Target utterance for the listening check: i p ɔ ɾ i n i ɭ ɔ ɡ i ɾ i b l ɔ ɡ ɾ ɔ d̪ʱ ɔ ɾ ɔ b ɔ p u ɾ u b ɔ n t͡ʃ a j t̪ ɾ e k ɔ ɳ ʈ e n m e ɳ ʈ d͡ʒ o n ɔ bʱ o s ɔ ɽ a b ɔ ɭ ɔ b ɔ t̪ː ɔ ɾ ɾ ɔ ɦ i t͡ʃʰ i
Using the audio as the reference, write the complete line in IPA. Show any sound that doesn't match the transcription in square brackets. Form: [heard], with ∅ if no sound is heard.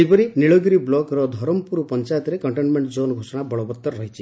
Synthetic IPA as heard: i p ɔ ɾ i n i ɭ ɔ ɡ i ɾ i b l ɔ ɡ ɾ ɔ d̪ʱ ɔ ɾ ɔ [m] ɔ p u ɾ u [p] ɔ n t͡ʃ a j t̪ ɾ e k ɔ ɳ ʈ e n m e ɳ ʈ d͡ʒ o n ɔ [ɡʱ] o s ɔ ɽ a b ɔ ɭ ɔ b ɔ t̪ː ɔ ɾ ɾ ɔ ɦ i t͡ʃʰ i